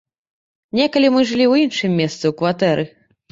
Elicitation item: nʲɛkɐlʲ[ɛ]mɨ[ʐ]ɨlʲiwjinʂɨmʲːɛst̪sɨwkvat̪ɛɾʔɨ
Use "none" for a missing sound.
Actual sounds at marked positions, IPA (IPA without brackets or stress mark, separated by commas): i, ʐ